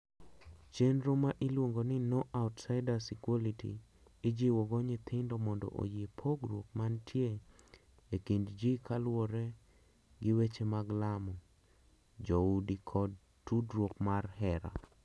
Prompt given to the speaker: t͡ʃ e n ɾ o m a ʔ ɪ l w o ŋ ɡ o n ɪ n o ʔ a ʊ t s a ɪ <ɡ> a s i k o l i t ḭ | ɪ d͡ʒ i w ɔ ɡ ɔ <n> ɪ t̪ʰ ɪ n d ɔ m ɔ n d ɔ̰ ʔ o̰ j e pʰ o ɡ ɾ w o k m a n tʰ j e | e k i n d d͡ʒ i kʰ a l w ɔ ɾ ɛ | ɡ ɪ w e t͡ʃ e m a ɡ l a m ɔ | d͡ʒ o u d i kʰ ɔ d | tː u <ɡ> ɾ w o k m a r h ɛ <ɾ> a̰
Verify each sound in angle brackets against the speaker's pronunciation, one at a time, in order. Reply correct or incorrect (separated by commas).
incorrect, incorrect, incorrect, correct